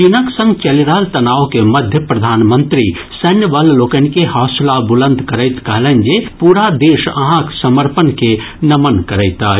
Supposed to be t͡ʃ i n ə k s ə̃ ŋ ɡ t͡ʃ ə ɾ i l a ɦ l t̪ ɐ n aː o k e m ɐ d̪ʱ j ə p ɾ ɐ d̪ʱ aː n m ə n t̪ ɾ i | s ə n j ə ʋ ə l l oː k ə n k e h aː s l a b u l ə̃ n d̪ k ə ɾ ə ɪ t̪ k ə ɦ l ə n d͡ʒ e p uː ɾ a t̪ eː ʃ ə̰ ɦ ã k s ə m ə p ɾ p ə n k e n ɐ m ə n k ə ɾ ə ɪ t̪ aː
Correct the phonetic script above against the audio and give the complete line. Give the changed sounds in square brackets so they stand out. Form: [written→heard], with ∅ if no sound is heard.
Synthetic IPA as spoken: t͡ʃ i n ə k s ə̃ ŋ ɡ t͡ʃ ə [ɾ→l] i [l→ɾ] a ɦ l t̪ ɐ n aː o k e m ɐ d̪ʱ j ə p ɾ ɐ d̪ʱ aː n m ə n t̪ ɾ i | s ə n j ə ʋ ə l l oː k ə n k e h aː s l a b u l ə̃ n d̪ k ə ɾ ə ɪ t̪ k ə ɦ l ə n d͡ʒ e p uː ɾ a [t̪→d̪] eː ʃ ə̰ ɦ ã k s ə m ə [p→∅] ɾ p ə n k e n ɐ m ə n k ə ɾ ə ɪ t̪ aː